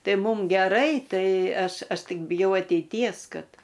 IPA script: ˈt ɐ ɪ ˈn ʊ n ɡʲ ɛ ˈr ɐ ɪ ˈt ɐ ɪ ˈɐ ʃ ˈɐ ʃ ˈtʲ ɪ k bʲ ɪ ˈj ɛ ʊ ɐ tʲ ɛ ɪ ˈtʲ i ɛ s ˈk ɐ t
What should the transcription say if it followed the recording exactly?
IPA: ˈt ɐ ɪ ˈm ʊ m ɡʲ ɛ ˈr ɐ ɪ ˈt ɐ ɪ ˈɐ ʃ ˈɐ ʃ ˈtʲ ɪ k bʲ ɪ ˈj ɛ ʊ ɐ tʲ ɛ ɪ ˈtʲ i ɛ s ˈk ɐ t